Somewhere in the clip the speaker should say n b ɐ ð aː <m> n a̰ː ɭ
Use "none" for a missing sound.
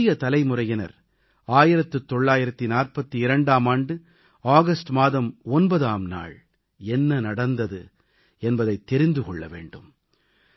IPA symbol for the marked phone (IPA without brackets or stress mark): m